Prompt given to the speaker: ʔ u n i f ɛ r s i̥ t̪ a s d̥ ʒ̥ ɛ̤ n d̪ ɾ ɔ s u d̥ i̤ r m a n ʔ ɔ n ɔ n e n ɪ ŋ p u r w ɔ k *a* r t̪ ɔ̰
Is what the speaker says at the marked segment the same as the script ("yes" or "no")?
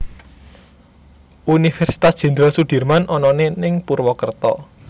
no